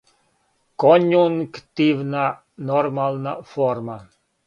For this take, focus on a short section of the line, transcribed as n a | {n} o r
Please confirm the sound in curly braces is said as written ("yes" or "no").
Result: yes